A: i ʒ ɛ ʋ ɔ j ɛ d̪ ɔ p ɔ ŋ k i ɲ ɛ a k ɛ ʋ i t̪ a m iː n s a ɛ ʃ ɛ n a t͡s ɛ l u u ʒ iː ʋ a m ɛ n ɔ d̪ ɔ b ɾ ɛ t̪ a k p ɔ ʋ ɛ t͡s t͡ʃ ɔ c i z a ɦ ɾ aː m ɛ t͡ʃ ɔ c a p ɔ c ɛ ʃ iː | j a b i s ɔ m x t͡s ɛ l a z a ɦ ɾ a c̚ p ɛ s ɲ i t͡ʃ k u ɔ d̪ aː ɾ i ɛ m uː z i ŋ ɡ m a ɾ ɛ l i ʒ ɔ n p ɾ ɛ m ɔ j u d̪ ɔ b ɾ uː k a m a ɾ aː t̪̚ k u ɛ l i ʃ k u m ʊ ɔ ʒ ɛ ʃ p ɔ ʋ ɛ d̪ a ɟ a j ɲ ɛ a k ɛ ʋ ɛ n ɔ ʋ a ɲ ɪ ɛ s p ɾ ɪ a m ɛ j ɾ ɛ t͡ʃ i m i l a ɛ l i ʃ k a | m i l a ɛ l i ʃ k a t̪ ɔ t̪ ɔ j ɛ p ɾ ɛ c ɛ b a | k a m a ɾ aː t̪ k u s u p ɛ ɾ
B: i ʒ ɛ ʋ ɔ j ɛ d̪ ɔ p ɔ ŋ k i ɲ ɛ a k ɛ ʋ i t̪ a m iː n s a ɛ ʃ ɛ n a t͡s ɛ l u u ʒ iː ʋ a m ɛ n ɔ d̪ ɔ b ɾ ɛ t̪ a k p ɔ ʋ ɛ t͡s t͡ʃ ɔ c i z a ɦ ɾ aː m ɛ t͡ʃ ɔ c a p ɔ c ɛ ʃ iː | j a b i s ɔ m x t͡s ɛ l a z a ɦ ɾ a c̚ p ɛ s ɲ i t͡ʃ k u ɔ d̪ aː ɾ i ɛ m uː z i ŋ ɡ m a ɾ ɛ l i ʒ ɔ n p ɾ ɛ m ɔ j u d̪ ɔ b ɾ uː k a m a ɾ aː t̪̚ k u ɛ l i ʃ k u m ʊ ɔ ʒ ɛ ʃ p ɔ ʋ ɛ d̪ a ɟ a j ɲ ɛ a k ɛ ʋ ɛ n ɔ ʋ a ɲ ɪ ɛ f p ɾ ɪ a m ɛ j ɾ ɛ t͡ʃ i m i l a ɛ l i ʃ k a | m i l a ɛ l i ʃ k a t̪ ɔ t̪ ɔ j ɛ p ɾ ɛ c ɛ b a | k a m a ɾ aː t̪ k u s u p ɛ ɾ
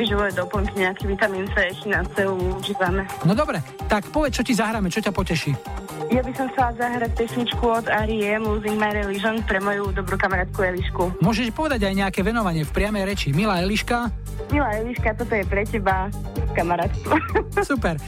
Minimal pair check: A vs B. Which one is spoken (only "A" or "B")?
B